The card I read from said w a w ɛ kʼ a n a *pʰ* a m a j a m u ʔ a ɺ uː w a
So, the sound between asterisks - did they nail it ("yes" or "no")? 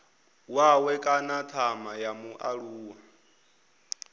no